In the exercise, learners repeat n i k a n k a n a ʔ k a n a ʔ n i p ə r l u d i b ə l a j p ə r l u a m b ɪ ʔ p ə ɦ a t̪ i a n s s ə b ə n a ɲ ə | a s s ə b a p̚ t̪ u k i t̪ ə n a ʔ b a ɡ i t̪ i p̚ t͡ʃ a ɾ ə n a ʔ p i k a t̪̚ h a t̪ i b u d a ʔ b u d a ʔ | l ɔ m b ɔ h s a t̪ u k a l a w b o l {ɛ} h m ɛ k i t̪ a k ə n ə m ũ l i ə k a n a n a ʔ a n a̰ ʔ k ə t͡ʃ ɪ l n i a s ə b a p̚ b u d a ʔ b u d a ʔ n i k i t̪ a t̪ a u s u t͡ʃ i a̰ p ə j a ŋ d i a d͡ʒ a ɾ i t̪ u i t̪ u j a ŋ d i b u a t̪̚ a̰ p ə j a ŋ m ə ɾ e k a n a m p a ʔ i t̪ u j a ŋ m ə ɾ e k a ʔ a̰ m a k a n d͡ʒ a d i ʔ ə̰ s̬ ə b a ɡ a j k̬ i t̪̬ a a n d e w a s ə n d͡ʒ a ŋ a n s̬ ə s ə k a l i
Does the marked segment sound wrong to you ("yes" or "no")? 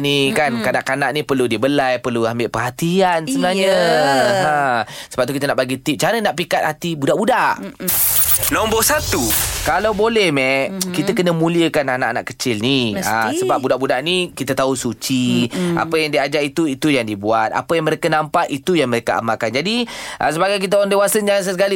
no